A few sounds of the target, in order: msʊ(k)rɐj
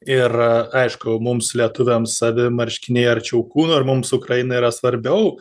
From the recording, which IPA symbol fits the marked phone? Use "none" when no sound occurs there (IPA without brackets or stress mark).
k